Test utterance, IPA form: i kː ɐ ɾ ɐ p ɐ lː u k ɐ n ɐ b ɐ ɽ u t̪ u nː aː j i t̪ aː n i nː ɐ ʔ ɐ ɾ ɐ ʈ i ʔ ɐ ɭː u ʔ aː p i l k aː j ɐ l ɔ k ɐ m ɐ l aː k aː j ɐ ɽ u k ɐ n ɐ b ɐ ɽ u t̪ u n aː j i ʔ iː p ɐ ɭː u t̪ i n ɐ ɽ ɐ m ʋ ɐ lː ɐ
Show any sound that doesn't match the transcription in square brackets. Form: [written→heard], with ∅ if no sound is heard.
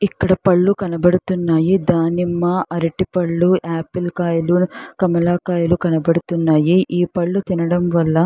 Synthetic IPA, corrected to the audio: i kː ɐ [ɾ→ɽ] ɐ p ɐ [lː→ɭː] u k ɐ n ɐ b ɐ ɽ u t̪ u nː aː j i [t̪→d̪] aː n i [nː→mː] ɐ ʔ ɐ ɾ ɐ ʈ i [ʔ→p] ɐ ɭː u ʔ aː p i l k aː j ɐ l [ɔ→u] k ɐ m ɐ l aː k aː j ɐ [ɽ→l] u k ɐ n ɐ b ɐ ɽ u t̪ u [n→nː] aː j i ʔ iː p ɐ ɭː u t̪ i n ɐ ɽ ɐ m ʋ ɐ lː ɐ